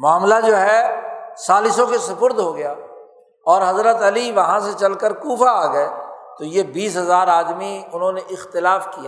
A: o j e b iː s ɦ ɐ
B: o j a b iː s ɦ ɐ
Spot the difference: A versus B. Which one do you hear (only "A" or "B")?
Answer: A